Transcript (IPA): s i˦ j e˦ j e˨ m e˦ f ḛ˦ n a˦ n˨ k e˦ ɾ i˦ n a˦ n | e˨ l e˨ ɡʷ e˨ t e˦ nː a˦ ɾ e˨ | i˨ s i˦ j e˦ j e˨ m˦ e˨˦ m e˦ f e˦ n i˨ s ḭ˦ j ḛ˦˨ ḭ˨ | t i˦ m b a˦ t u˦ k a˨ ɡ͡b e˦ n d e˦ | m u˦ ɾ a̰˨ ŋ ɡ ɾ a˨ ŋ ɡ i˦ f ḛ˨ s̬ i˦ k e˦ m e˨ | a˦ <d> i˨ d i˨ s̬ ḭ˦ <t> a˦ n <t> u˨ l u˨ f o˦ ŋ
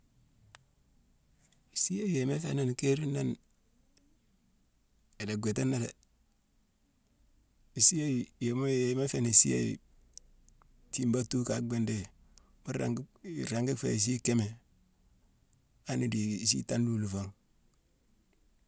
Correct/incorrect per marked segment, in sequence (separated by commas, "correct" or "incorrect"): incorrect, correct, incorrect